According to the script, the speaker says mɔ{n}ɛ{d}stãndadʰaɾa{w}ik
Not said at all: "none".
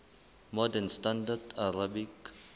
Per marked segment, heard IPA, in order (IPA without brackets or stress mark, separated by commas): d, n, b